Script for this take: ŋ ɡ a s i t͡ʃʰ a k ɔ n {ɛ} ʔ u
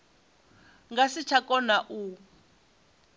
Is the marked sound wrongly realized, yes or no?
yes